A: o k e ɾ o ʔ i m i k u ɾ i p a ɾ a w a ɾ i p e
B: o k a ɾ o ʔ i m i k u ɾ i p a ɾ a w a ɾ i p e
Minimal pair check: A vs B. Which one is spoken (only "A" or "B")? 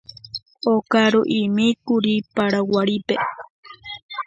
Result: B